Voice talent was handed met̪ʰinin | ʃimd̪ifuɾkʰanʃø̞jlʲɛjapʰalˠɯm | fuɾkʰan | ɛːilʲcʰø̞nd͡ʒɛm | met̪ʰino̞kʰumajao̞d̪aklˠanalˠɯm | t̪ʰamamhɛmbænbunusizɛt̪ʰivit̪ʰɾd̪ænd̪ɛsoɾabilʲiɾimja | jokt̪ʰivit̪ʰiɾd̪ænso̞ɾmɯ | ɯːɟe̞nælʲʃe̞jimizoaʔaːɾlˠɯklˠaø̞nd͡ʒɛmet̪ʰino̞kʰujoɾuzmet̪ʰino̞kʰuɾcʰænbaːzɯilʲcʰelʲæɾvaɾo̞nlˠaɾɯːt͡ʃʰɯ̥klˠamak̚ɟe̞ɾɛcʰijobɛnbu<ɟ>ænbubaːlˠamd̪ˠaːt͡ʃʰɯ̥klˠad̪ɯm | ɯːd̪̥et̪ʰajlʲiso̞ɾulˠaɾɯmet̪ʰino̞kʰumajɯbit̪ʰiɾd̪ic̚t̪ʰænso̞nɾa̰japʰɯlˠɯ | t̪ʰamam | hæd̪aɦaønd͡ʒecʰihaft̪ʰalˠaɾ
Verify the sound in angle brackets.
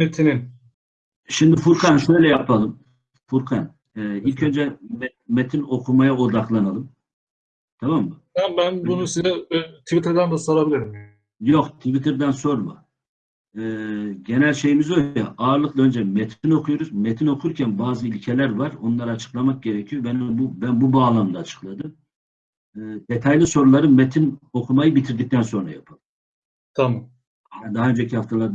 incorrect: b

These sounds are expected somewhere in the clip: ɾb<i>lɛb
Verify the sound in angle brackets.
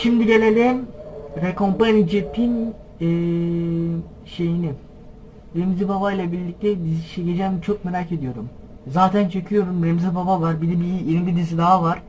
correct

